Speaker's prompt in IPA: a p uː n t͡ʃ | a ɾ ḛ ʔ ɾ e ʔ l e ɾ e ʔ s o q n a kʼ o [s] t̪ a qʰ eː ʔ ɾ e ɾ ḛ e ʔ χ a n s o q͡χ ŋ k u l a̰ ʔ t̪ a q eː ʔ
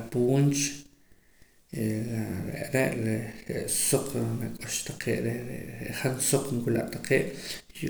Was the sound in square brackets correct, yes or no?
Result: no